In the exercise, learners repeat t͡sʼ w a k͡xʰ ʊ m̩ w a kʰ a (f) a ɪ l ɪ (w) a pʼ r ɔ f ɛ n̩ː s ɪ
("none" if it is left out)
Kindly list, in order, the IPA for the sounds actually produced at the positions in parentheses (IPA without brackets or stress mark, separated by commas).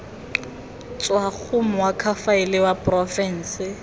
f, w